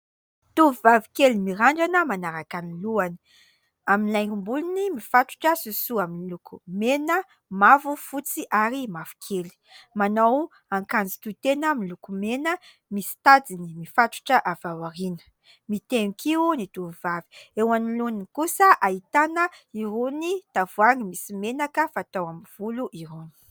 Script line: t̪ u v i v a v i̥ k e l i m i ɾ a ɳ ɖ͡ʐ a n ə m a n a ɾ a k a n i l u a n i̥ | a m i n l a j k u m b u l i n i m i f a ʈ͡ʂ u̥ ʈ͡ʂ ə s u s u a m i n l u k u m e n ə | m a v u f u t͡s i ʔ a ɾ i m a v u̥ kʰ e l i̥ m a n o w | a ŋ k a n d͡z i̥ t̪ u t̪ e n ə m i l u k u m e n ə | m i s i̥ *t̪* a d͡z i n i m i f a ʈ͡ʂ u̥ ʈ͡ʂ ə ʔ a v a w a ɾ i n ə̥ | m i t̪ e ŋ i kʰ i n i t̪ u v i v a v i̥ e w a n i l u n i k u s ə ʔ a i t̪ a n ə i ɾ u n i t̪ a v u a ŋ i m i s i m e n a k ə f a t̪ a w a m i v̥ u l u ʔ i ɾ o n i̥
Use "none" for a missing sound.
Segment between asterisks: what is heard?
t̪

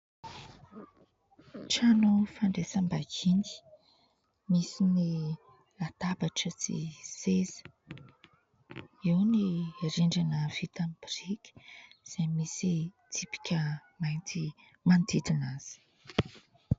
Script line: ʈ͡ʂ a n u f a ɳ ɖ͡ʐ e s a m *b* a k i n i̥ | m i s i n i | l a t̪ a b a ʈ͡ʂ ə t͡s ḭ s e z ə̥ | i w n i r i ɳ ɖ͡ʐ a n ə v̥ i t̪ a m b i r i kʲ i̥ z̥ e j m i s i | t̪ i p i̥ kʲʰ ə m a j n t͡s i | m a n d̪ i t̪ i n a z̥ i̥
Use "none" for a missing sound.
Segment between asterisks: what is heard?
b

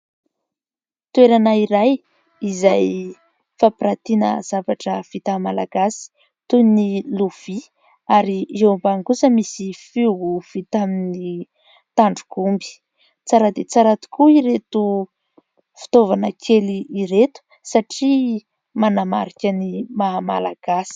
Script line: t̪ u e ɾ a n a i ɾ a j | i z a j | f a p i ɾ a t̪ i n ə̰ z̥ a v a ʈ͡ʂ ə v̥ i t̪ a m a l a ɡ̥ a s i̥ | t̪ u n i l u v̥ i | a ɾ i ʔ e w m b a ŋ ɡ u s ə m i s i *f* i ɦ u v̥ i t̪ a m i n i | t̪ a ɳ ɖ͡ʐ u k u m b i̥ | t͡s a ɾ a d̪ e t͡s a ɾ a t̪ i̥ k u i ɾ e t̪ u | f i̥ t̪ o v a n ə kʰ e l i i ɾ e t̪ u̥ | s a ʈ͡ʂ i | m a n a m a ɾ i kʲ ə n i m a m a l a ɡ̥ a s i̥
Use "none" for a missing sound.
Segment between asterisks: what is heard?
f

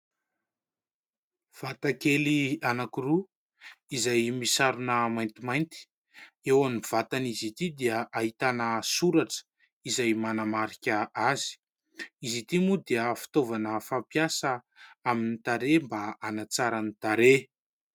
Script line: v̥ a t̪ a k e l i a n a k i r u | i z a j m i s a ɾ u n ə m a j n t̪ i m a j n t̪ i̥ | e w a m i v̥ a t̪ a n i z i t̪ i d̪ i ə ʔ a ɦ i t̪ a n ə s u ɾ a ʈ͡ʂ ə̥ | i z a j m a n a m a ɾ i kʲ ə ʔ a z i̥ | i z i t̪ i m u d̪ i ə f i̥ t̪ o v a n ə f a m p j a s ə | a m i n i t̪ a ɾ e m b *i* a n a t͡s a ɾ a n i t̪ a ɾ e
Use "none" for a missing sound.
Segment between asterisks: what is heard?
a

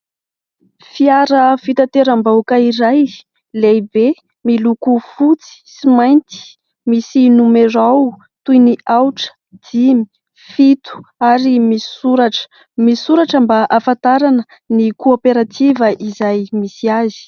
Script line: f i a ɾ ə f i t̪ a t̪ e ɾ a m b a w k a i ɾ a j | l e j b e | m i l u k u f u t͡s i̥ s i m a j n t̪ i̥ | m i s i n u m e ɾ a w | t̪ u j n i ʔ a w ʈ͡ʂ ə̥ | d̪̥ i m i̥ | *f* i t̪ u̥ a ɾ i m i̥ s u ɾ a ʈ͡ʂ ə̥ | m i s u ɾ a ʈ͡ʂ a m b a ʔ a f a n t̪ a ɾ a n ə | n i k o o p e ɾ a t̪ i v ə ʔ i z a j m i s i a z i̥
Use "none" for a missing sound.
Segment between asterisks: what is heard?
f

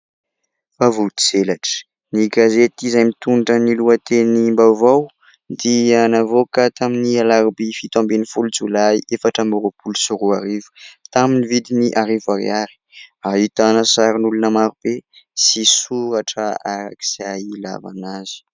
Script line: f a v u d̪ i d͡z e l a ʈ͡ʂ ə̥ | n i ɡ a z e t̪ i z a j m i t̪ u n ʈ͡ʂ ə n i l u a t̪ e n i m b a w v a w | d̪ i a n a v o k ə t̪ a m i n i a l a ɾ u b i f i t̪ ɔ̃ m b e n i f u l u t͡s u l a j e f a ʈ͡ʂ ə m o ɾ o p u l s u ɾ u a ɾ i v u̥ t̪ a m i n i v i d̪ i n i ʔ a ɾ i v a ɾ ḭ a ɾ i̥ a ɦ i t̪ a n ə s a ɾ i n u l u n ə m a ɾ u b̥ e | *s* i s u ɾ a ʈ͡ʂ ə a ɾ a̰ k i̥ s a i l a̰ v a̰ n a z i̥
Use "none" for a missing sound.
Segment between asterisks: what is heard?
s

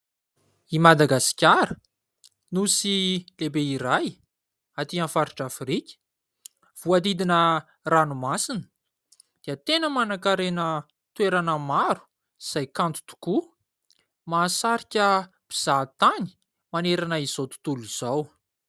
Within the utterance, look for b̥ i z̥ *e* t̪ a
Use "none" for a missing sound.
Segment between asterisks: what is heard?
a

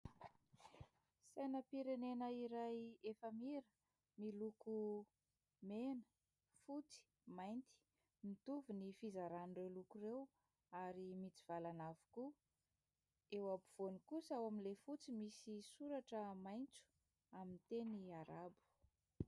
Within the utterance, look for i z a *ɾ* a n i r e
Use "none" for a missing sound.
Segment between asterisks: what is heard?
ɾ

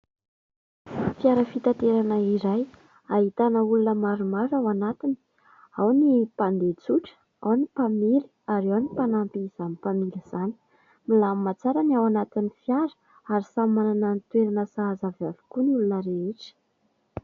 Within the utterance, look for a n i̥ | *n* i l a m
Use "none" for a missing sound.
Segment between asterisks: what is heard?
m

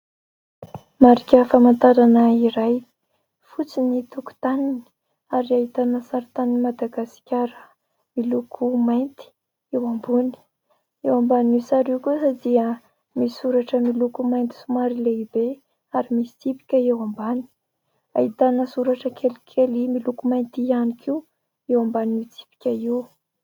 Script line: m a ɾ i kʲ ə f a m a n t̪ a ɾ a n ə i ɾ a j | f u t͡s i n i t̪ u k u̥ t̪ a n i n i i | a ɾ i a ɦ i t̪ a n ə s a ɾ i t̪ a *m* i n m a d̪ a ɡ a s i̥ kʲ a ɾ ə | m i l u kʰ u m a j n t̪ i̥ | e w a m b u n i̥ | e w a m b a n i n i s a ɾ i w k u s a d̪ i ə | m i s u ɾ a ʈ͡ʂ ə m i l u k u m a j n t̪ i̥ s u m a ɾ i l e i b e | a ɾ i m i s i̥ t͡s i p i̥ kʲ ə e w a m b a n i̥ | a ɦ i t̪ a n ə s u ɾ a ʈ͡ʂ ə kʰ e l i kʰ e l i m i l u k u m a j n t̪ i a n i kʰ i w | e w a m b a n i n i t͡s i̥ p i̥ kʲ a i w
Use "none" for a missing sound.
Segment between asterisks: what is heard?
n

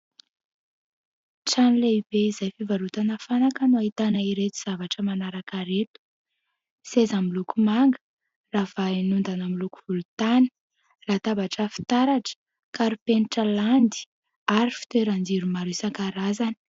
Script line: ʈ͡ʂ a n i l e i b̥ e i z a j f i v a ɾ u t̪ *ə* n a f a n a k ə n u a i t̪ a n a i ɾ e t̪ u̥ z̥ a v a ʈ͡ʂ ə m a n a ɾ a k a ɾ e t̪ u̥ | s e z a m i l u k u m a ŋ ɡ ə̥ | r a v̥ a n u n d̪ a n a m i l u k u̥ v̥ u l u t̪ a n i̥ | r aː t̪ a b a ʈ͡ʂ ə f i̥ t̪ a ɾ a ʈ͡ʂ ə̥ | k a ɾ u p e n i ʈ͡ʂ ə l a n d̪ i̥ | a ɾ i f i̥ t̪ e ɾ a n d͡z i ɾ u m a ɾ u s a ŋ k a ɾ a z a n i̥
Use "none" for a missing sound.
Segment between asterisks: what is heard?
a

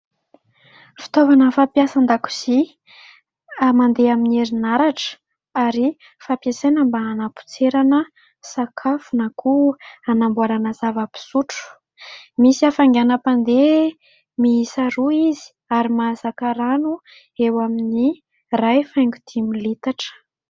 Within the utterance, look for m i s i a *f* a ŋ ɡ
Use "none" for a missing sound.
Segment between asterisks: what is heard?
f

